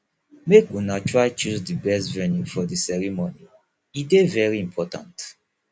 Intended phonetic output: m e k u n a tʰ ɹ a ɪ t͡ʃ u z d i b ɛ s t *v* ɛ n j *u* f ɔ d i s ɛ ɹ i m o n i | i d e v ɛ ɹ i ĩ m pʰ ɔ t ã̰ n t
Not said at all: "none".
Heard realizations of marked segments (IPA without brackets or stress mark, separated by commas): v, u